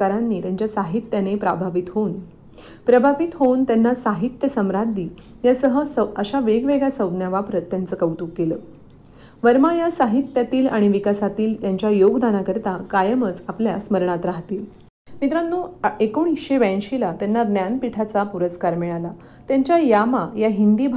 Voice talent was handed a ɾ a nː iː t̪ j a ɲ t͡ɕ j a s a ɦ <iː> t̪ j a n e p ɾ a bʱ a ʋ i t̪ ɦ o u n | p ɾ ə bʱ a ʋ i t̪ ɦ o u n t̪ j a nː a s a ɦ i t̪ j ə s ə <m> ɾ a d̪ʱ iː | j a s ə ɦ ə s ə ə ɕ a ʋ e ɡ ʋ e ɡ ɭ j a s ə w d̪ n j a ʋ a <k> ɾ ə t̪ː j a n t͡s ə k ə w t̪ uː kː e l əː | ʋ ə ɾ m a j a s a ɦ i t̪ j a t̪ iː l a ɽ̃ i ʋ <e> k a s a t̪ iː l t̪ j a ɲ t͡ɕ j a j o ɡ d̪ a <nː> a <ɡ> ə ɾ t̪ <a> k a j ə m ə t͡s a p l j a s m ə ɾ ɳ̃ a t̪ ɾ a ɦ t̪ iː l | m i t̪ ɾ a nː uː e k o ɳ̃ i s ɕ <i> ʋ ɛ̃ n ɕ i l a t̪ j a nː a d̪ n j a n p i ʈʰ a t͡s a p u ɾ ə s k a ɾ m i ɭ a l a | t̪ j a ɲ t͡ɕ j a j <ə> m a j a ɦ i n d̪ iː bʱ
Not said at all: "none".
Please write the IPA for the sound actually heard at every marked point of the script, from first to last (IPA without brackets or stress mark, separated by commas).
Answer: i, m, p, i, n, k, a, e, a